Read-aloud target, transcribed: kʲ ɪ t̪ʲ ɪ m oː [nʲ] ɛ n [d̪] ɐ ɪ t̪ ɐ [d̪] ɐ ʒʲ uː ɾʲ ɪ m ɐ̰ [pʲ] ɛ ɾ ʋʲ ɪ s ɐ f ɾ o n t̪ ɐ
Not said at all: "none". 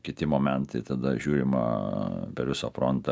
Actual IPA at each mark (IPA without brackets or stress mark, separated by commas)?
mʲ, t̪, d̪, pʲ